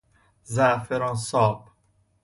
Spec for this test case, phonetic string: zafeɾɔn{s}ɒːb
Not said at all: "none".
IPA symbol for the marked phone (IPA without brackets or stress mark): s